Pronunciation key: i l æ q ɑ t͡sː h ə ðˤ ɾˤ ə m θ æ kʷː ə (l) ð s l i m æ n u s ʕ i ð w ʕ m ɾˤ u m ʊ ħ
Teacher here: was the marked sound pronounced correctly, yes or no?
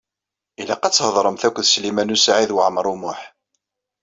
no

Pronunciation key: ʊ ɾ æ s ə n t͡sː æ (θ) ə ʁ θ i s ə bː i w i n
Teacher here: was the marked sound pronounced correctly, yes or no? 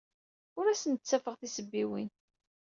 no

